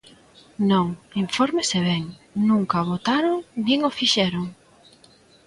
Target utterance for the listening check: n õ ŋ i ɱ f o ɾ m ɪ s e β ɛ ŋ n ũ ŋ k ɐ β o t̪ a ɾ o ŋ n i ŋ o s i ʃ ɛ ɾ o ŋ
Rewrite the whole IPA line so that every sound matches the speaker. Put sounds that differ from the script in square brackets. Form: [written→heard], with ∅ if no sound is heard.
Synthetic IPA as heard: n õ ŋ i ɱ f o ɾ m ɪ s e β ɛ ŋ n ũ ŋ k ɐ β o t̪ a ɾ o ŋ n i ŋ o [s→f] i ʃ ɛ ɾ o ŋ